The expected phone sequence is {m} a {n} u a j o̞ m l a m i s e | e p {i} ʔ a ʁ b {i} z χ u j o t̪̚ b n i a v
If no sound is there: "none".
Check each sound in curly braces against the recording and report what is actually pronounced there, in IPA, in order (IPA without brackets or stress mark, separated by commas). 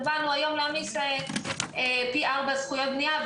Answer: b, n, i, a